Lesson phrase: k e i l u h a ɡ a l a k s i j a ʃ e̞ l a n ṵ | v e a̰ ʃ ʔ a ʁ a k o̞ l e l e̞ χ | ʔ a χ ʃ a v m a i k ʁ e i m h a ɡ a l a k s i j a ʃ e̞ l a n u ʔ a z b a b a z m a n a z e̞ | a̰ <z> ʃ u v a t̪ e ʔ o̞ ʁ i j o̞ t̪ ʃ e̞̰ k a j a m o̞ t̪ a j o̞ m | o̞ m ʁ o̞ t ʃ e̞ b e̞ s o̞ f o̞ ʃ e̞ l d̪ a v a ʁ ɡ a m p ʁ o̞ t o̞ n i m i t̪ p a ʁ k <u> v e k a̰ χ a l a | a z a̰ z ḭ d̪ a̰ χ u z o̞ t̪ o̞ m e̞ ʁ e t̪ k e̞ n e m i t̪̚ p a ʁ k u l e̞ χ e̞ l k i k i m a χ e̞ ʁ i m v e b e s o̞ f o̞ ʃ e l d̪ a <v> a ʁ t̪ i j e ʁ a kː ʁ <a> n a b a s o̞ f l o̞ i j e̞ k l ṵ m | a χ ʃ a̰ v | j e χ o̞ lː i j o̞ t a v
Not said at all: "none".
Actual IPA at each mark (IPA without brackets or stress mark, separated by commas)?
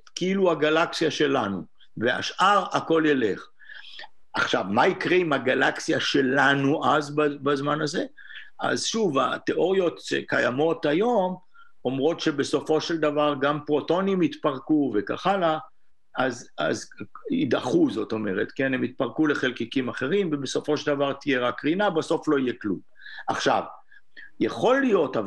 z, u, v, i